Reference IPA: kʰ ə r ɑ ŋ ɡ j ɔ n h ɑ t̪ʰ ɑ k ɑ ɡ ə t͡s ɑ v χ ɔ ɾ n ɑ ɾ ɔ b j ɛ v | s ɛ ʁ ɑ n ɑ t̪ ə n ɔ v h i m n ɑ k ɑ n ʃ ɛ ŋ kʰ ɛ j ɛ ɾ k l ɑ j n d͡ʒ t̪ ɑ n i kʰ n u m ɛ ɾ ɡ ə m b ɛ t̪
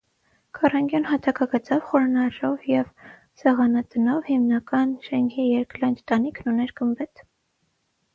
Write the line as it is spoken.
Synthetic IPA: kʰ ɑ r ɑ ŋ ɡ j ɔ n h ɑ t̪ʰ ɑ k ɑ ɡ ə t͡s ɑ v χ ɔ ɾ n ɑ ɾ ɔ v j ɛ v | s ɛ ʁ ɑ n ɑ t̪ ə n ɔ v h i m n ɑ k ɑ n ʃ ɛ ŋ kʰ i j ɛ ɾ k l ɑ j n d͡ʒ t̪ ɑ n i kʰ n u n ɛ ɾ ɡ ə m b ɛ t̪